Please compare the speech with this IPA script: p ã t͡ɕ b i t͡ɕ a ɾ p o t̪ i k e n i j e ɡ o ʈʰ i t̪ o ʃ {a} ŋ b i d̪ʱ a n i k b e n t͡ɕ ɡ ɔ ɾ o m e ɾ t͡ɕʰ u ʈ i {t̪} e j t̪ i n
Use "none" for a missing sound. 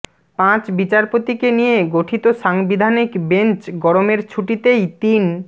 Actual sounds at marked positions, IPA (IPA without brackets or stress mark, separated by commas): a, t̪